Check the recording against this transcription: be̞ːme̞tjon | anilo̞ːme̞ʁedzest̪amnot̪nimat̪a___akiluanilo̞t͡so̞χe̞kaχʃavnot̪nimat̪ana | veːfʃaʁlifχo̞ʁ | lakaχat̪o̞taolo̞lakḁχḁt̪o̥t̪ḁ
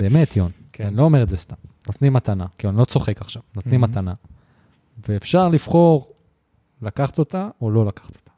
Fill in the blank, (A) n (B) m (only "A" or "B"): A